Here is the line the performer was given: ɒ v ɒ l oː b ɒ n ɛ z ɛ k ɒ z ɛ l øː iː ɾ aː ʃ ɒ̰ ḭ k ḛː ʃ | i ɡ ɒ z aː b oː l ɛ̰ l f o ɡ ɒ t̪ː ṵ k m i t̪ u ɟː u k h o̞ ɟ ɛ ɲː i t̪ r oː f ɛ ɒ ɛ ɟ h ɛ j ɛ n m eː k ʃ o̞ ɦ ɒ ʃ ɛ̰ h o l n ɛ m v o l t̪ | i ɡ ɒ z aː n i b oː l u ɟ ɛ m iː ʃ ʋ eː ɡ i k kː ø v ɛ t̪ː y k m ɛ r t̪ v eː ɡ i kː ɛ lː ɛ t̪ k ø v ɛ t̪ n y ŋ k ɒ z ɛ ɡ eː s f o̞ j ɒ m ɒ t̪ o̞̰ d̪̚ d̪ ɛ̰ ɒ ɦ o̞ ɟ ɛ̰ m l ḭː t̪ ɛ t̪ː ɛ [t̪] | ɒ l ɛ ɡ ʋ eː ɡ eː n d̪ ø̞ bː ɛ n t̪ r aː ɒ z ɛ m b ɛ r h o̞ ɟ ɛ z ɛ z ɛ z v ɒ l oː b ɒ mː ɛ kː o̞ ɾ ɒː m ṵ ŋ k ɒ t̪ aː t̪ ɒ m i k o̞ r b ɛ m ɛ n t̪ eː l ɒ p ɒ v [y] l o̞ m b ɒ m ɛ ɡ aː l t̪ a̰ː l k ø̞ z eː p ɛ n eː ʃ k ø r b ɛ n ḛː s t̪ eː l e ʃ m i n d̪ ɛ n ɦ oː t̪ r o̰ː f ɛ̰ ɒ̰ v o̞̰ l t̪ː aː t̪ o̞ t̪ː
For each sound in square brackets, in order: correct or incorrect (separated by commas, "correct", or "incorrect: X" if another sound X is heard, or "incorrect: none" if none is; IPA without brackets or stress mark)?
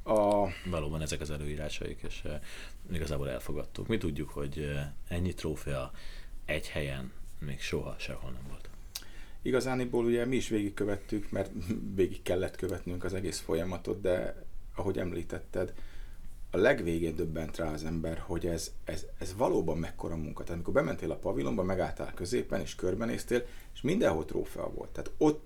incorrect: d̪, incorrect: i